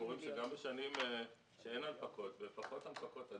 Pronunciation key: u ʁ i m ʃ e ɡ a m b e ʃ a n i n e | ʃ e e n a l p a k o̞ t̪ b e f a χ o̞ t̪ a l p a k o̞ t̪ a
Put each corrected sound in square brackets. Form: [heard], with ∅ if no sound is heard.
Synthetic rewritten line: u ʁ i m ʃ e ɡ a m b e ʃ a n i [m] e | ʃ e e n a l p a k o̞ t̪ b e f a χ o̞ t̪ a l p a k o̞ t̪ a